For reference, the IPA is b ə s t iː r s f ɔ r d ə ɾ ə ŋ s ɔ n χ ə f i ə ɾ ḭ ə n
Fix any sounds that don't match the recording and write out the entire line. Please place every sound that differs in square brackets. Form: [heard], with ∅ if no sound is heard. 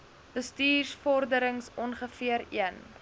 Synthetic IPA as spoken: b ə s t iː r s f ɔ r d ə ɾ ə ŋ s ɔ n χ ə f i ə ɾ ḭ ə n